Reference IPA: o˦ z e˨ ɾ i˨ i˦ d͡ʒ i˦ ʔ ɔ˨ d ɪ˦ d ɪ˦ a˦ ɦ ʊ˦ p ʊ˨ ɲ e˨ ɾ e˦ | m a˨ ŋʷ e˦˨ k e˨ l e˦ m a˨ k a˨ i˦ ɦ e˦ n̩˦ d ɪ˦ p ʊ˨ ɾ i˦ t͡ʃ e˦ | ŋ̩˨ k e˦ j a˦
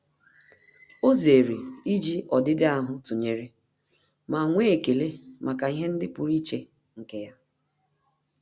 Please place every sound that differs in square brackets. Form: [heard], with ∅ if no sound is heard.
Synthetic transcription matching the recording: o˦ z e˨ ɾ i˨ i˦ d͡ʒ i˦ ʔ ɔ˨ d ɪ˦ d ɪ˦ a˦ ɦ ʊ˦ [t] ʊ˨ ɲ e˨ ɾ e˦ | m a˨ ŋʷ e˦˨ k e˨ l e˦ m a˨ k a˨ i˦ ɦ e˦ n̩˦ d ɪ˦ p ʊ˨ ɾ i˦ t͡ʃ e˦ | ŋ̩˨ k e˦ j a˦